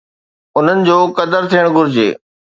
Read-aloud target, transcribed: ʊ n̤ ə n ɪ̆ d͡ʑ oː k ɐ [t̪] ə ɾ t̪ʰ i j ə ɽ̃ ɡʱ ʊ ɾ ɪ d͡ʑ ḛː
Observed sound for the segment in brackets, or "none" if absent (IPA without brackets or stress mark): d̪